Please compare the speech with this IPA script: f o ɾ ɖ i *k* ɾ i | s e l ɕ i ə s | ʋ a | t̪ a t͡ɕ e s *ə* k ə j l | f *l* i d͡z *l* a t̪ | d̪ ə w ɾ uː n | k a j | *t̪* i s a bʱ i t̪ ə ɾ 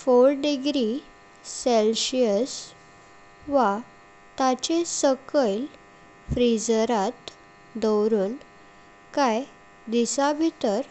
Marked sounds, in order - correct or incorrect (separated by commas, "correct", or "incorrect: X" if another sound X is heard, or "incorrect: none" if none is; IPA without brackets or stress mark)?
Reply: incorrect: ɡ, correct, incorrect: ɾ, incorrect: ɾ, incorrect: d̪